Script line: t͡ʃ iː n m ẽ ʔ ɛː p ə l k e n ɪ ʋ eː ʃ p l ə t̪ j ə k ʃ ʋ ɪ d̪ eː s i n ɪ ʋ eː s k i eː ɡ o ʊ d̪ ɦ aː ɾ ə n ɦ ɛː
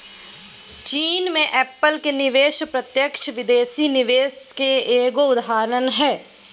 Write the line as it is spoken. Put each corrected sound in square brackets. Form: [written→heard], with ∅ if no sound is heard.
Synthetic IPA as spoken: t͡ʃ iː n m ẽ ʔ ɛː p ə l k e n ɪ ʋ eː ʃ p [l→ɾ] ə t̪ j ə k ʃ ʋ ɪ d̪ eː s i n ɪ ʋ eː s k [i→e] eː ɡ o ʊ d̪ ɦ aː ɾ ə n ɦ ɛː